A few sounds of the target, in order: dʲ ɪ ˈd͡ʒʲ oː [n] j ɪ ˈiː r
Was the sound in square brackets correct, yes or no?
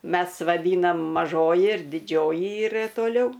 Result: no